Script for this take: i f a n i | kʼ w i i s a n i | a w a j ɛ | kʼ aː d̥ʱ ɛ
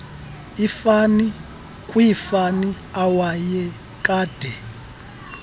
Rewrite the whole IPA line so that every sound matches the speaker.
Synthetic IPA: i f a n i | kʼ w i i f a n i | a w a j ɛ | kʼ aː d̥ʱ ɛ